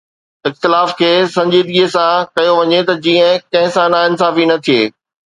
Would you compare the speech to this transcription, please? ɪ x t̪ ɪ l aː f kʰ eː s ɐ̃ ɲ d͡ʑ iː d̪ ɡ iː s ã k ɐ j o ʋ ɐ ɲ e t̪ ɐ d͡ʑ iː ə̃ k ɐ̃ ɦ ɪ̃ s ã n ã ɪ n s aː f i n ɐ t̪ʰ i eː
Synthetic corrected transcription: ɪ x t̪ ɪ l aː f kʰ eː s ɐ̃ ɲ d͡ʑ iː d̪ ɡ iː s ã k ɐ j o ʋ ɐ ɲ e t̪ ɐ d͡ʑ iː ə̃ k ɐ̃ ɦ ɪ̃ s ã n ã ɪ n s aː f i n ɐ t̪ʰ i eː